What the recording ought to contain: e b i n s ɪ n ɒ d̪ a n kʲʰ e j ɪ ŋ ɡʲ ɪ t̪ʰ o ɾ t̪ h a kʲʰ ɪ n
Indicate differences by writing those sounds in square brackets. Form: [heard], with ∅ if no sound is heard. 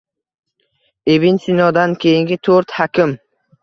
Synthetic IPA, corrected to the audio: e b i n s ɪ n ɒ d̪ a n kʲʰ e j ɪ ŋ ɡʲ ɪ t̪ʰ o ɾ t̪ h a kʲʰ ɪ [m]